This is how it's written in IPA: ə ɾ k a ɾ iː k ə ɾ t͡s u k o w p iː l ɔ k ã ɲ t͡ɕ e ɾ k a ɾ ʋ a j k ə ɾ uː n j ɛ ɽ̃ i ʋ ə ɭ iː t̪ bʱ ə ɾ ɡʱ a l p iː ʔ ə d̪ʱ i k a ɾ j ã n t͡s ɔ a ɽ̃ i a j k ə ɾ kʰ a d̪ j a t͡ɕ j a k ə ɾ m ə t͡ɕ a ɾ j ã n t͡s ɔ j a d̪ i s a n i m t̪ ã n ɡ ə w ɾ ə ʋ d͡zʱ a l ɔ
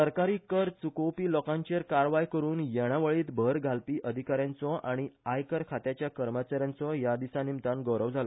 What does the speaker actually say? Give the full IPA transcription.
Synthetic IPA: ə ɾ k a ɾ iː k ə ɾ t͡s u k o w p iː l ɔ k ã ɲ t͡ɕ e ɾ k a ɾ ʋ a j k ə ɾ uː n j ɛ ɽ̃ a ʋ ə ɭ iː t̪ bʱ ə ɾ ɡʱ a l p iː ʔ ə d̪ʱ i k a ɾ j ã n t͡s ɔ a ɽ̃ i a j k ə ɾ kʰ a t̪ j a t͡ɕ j a k ə ɾ m ə t͡ɕ a ɾ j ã n t͡s ɔ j a d̪ i s a n i m t̪ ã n ɡ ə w ɾ ə ʋ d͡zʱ a l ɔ